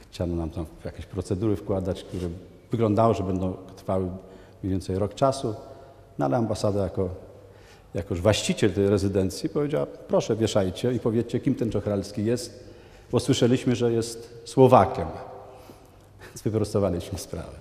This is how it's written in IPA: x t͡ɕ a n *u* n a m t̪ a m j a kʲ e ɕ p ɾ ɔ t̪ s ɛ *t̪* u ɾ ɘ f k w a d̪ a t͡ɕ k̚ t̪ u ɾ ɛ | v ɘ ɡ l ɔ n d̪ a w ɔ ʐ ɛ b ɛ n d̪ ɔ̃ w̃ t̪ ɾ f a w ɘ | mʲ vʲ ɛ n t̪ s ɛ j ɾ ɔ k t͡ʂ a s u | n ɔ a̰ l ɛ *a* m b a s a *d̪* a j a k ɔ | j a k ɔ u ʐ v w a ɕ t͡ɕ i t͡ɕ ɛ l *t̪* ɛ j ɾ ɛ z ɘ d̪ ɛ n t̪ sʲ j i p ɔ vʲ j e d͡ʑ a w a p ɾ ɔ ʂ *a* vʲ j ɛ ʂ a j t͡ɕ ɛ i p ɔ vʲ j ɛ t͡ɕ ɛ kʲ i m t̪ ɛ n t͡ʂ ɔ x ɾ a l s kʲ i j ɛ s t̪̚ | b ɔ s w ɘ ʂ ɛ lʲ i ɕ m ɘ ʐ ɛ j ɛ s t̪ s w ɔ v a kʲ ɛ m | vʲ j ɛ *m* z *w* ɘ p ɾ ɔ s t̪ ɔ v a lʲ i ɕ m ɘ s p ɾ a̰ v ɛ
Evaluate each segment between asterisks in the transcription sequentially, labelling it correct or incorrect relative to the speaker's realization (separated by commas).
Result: incorrect, incorrect, correct, correct, correct, incorrect, incorrect, incorrect